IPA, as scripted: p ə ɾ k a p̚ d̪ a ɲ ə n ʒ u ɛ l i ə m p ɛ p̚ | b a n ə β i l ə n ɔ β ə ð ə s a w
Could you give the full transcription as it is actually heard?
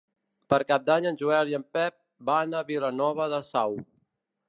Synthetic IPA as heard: p ə ɾ k a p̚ d̪ a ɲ ə n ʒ u ɛ l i ə m p ɛ p̚ | b a n ə β i l ə n ɔ β ə ð ə s a w